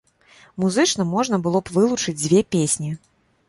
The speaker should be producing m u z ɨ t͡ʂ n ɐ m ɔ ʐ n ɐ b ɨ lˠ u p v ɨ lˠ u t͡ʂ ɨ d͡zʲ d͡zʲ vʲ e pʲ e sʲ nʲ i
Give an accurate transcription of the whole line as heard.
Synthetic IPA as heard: m u z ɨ t͡ʂ n ɐ m ɔ ʐ n ɐ b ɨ lˠ ɔ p v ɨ lˠ u t͡ʂ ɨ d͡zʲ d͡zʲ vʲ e pʲ e sʲ nʲ i